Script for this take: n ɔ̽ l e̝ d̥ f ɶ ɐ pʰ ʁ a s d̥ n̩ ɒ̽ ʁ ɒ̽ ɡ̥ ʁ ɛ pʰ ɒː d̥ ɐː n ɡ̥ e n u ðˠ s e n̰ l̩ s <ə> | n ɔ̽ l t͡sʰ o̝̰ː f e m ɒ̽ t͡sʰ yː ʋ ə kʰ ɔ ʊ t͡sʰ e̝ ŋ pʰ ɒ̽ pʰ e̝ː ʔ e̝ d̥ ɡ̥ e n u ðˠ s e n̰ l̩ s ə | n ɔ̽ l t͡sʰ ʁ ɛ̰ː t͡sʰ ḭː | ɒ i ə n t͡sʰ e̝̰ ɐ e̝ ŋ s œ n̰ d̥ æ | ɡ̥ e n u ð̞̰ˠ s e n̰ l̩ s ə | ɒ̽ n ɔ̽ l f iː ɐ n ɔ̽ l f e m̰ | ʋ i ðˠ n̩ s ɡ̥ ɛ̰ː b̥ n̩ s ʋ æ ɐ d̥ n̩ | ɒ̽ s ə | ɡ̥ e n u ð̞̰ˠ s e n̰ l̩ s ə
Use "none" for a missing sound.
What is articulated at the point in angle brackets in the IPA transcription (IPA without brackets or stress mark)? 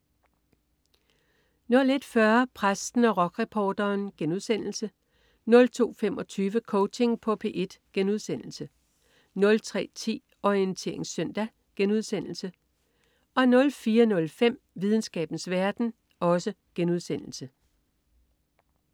ə